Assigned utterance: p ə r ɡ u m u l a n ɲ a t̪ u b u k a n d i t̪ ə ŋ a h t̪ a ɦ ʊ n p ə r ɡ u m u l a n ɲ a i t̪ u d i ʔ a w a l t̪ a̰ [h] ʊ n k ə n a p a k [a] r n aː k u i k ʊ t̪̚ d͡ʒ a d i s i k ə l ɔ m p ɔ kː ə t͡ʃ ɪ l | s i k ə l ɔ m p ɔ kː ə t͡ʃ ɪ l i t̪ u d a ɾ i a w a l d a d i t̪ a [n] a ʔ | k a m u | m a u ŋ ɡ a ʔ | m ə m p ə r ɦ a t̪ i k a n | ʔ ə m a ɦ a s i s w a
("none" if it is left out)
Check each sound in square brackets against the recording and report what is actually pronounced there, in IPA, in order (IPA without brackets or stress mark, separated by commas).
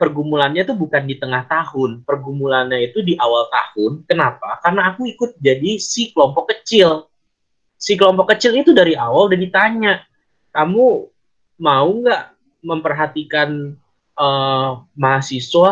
h, a, ɲ